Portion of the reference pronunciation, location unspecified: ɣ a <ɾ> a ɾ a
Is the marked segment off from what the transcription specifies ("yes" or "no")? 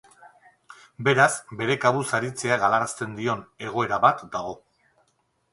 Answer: yes